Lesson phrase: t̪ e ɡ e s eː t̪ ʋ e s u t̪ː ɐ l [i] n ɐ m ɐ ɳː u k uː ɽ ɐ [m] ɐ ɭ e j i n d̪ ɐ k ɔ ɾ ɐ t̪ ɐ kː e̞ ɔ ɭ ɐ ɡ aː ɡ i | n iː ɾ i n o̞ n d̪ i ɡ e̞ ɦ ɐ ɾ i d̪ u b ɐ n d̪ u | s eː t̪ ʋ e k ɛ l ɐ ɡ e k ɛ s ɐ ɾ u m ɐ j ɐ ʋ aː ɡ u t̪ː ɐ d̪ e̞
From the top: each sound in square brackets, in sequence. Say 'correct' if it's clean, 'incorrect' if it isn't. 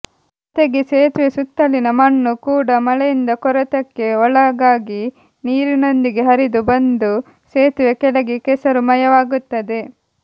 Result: correct, correct

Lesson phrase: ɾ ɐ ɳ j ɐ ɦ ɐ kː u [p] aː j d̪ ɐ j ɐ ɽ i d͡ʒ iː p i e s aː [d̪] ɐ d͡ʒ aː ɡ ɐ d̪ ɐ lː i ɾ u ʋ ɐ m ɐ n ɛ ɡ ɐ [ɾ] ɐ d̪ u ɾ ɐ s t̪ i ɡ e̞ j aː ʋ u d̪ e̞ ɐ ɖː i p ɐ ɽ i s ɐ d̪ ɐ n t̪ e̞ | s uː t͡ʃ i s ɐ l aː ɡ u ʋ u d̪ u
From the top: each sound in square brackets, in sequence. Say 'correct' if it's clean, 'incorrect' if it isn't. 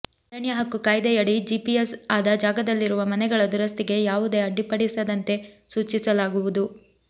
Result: incorrect, correct, incorrect

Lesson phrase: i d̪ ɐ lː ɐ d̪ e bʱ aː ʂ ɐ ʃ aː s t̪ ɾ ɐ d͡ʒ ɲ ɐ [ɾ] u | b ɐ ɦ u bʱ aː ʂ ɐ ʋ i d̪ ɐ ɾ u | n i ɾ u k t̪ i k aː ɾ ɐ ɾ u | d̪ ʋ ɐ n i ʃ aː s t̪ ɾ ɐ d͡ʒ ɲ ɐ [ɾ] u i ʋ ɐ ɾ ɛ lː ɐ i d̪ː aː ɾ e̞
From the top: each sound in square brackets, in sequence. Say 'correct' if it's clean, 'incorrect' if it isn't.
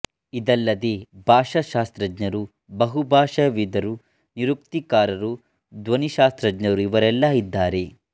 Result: correct, correct

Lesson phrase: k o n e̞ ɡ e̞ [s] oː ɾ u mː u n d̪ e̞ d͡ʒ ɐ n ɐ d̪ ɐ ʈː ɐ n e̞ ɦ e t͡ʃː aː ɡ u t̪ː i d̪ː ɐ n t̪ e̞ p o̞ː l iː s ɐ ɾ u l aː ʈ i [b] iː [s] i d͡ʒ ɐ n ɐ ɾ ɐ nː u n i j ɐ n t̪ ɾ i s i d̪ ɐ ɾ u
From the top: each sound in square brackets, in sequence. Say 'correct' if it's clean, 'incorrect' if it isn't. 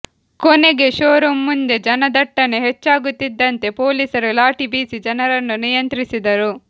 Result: incorrect, correct, correct

